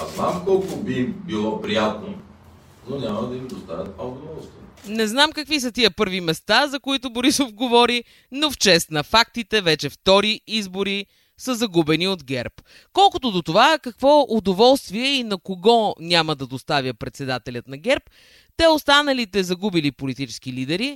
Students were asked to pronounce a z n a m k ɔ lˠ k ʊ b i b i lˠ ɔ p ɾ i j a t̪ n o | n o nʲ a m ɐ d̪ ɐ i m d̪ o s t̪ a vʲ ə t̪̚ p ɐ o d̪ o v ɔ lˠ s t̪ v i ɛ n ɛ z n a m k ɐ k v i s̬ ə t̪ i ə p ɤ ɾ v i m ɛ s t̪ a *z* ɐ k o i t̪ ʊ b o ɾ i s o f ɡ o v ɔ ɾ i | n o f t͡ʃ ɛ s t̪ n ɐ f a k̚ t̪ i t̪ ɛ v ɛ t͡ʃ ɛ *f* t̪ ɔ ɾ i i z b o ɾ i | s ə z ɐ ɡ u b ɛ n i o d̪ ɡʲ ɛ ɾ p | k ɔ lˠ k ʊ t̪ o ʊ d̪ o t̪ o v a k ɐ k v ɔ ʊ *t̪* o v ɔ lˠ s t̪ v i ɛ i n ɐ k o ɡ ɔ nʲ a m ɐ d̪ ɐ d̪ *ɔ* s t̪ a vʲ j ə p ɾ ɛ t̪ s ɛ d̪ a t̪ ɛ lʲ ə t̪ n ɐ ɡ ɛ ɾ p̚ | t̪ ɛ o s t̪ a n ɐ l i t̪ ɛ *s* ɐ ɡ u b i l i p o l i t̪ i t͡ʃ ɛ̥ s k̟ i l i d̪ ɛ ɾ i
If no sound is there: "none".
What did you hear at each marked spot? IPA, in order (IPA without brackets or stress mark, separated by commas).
z, f, d̪, o, z